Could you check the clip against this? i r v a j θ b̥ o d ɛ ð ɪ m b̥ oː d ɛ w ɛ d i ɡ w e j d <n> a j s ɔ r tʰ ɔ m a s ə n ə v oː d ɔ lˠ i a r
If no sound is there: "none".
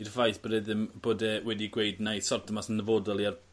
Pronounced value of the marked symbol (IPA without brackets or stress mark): n